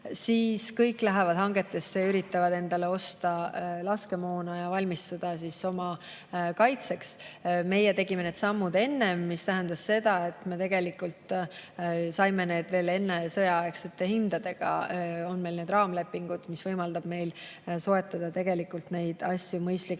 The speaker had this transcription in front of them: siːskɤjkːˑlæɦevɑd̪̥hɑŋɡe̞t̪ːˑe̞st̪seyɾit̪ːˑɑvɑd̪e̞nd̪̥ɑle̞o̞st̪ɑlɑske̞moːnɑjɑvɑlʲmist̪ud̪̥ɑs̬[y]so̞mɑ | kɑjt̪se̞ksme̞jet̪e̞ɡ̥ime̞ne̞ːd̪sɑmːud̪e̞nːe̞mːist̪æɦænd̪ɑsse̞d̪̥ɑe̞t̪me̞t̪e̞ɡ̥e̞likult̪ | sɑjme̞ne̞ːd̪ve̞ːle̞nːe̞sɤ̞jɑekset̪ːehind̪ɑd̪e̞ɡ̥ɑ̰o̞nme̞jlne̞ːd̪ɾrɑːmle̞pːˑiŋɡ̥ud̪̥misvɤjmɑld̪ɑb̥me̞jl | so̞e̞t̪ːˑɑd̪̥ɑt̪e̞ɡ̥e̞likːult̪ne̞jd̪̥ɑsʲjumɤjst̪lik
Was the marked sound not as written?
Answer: yes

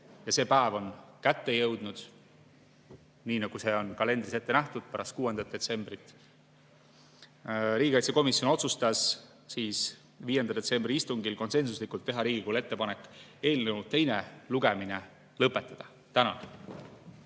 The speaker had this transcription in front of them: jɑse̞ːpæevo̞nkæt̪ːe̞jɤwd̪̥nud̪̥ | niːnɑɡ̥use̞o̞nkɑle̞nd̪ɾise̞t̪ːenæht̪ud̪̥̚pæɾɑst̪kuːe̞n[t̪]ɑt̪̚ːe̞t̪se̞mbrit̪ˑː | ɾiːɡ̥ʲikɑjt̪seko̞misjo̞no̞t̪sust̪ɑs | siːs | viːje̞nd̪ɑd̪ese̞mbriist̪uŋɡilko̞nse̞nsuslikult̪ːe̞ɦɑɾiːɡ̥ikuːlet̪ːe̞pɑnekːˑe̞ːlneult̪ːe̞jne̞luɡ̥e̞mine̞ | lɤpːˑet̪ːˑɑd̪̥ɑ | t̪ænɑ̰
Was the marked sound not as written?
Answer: yes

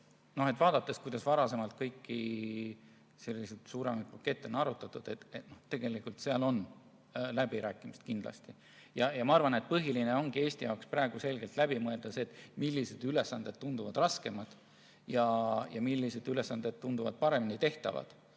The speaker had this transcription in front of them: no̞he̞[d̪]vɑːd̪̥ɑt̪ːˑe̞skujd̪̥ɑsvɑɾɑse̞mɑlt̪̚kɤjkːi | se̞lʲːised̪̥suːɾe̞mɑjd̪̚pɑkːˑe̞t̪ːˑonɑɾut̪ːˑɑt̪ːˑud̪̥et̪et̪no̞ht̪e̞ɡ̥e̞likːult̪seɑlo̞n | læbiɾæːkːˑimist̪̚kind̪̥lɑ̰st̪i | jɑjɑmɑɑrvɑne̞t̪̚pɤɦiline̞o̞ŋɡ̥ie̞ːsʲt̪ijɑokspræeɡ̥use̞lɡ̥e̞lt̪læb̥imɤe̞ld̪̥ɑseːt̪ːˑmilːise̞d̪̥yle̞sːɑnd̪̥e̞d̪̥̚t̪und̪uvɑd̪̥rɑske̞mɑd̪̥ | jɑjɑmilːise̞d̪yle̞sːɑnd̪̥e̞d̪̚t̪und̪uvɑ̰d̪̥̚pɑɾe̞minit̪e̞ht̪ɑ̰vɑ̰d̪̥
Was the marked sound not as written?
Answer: yes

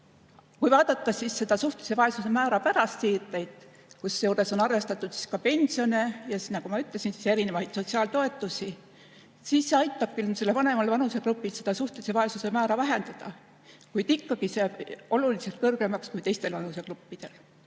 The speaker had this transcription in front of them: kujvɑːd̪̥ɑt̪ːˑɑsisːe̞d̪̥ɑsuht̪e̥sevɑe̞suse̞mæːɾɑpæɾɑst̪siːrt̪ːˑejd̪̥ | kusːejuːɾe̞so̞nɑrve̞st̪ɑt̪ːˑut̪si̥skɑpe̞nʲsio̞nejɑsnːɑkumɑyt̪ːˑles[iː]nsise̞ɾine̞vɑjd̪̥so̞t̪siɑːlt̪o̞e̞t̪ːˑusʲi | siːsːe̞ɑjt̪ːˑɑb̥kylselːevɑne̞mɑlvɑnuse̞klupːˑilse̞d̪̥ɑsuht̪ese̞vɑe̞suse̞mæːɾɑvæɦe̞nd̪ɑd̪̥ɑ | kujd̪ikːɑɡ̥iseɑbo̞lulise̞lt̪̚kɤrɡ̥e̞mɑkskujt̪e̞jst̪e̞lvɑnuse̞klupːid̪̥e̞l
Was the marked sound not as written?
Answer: yes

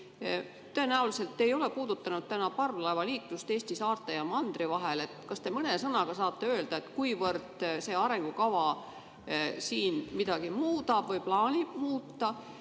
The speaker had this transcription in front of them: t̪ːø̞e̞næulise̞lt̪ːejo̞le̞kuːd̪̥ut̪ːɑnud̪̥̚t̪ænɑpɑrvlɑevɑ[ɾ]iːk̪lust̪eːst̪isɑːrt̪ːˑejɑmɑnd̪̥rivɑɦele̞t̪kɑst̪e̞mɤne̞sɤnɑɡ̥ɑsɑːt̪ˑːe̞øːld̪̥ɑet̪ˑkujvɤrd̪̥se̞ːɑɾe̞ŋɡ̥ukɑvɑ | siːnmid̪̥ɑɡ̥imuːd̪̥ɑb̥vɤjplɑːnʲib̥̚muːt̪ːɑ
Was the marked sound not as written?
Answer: yes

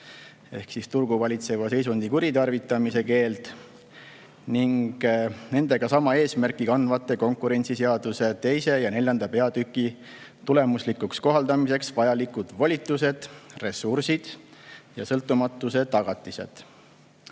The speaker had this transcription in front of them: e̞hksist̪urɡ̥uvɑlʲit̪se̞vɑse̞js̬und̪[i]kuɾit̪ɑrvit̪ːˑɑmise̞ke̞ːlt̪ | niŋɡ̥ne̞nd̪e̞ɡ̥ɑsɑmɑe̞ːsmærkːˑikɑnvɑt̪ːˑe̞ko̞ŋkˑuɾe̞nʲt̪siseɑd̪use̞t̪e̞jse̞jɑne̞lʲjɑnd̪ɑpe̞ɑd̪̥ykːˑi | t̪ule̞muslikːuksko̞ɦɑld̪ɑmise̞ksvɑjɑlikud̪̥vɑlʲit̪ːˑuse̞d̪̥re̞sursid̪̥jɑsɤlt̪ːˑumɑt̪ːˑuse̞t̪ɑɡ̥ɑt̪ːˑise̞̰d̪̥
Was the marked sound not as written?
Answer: no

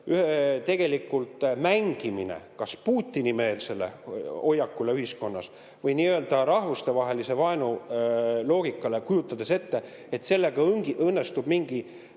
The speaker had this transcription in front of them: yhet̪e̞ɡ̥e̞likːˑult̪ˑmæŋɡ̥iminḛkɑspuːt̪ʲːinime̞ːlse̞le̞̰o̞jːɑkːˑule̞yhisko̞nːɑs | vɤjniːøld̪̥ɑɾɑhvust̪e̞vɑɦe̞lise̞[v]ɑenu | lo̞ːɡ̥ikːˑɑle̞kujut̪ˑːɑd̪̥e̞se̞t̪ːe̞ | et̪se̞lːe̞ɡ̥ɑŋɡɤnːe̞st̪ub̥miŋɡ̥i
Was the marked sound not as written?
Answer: no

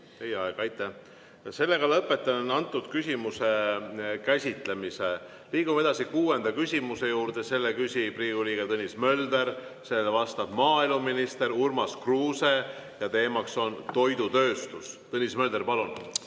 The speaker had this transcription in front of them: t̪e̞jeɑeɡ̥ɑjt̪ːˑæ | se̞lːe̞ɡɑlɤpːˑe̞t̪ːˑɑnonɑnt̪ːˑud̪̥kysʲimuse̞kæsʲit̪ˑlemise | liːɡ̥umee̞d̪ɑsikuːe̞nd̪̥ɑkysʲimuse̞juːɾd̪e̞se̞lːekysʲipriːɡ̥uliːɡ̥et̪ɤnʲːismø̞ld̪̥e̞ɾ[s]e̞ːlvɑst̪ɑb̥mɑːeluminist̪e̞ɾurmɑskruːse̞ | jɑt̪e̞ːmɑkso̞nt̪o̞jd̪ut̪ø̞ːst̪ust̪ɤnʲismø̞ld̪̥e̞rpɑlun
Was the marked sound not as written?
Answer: no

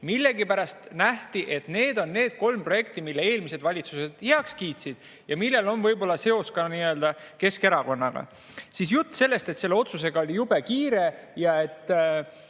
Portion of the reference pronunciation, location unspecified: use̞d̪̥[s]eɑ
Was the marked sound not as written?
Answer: yes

